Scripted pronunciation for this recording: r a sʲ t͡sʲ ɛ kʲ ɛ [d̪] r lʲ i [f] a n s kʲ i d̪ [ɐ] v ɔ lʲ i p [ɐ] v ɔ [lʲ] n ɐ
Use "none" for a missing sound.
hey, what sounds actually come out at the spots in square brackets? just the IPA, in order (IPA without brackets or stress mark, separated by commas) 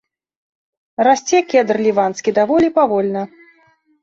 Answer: d̪, v, a, a, lʲ